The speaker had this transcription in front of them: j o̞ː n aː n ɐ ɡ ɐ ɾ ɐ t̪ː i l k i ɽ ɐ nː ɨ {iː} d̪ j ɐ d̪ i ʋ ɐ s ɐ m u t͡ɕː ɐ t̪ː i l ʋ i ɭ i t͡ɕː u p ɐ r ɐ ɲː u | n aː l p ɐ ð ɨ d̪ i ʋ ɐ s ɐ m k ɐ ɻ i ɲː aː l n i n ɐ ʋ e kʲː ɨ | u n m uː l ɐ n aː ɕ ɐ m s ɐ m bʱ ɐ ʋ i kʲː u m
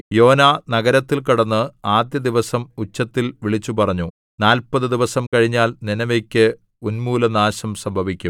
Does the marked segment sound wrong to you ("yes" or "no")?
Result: yes